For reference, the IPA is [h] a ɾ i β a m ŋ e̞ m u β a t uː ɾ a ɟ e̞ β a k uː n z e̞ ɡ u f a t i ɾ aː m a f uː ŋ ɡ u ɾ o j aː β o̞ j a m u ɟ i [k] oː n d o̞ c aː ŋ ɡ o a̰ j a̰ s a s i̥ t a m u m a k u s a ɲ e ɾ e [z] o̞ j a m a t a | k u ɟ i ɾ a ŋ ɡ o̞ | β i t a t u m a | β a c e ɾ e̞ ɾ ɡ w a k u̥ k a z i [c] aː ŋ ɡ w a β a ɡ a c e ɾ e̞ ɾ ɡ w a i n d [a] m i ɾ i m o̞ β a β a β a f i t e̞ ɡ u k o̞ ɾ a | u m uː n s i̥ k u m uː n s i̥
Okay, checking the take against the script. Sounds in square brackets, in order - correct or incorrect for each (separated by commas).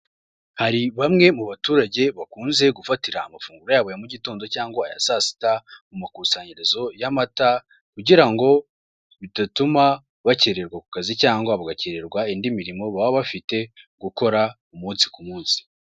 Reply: correct, incorrect, correct, correct, incorrect